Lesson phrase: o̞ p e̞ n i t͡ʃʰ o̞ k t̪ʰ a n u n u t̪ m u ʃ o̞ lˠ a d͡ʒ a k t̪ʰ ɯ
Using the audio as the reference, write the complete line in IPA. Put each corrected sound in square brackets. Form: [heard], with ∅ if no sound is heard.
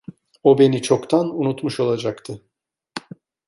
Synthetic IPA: o̞ [b] e̞ n i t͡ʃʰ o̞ k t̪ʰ a n u n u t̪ m u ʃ o̞ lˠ a d͡ʒ a k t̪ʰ ɯ